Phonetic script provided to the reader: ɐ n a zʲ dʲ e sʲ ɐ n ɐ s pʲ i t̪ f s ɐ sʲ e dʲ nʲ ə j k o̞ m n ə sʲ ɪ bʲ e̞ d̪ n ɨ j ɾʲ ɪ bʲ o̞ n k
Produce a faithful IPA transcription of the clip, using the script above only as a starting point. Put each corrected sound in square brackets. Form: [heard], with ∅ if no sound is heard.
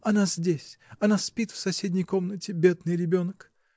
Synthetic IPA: ɐ n a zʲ dʲ e sʲ ɐ n [a] s pʲ i t̪ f s ɐ sʲ e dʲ nʲ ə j k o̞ m n ə [tʲ] ɪ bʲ e̞ d̪ n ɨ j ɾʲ ɪ bʲ o̞ n k